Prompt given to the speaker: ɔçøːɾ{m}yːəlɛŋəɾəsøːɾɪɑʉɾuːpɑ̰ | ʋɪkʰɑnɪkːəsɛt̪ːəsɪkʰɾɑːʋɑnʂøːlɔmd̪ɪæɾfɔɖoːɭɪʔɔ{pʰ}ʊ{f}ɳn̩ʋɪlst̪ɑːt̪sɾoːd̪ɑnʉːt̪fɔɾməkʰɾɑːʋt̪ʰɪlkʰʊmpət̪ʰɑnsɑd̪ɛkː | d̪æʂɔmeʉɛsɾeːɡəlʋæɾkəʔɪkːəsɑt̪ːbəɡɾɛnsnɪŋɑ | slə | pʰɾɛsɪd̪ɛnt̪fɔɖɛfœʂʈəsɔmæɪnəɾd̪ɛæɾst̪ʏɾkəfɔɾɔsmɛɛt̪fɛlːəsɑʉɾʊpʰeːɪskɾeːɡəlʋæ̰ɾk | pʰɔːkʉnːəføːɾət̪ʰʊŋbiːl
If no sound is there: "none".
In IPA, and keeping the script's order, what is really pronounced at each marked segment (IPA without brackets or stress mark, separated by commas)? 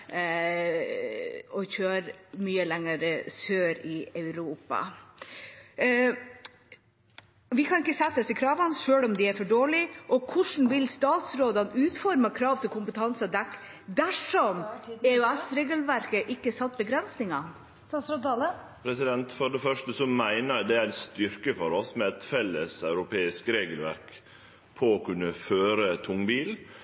m, kʰ, ʂ